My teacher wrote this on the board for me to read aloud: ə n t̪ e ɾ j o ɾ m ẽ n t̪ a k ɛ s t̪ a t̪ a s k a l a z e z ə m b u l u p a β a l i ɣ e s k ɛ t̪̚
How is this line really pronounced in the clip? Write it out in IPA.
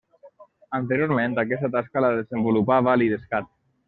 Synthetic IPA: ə n t̪ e ɾ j o ɾ m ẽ n t̪ a k ɛ s t̪ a t̪ a s k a l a ð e z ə m b u l u p a β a l i ð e s k a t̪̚